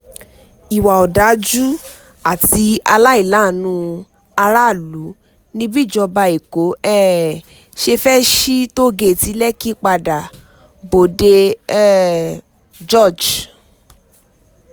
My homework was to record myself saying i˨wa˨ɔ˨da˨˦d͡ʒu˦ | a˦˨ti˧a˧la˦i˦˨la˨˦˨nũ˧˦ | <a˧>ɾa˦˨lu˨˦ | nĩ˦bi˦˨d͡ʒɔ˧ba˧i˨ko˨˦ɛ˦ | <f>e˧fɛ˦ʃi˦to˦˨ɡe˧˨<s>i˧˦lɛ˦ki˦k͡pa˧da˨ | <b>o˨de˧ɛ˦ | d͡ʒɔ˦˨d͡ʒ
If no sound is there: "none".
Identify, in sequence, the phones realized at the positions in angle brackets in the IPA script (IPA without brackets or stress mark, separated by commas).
a˧, ʃ, t, b